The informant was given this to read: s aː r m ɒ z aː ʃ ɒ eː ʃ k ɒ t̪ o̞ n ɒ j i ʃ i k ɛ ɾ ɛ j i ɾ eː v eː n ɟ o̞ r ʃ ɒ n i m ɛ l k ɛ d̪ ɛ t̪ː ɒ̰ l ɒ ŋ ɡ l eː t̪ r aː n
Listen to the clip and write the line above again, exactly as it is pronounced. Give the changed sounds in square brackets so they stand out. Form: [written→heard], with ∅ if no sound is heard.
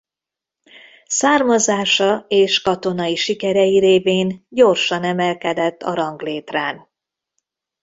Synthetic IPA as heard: s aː r m ɒ z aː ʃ ɒ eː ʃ k ɒ t̪ o̞ n ɒ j i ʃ i k ɛ ɾ ɛ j i ɾ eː v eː n ɟ o̞ r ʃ ɒ n [i→ɛ] m ɛ l k ɛ d̪ ɛ t̪ː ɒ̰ [l→ɾ] ɒ ŋ ɡ l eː t̪ r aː n